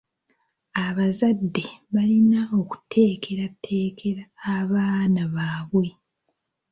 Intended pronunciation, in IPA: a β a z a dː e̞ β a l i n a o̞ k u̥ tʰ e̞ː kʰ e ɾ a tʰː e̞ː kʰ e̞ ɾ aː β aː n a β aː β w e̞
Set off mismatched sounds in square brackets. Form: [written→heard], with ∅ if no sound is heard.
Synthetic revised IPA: a β a z a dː e̞ β a l i n a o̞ k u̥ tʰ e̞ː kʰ e ɾ a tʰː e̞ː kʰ e̞ ɾ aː β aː n a β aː β w e̞